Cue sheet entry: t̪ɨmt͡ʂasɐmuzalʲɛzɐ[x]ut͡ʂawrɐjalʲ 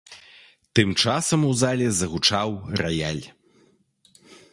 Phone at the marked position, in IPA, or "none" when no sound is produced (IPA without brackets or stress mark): ɣ